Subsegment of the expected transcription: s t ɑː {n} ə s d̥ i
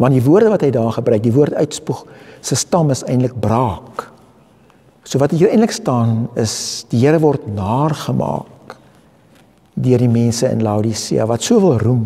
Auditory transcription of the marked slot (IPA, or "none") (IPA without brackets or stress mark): n